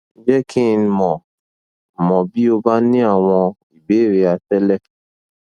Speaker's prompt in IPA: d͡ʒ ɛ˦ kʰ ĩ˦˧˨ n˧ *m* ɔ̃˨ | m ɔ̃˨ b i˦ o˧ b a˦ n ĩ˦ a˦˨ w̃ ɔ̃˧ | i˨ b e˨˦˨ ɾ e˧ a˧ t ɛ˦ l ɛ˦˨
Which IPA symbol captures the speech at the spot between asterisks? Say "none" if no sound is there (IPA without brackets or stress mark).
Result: m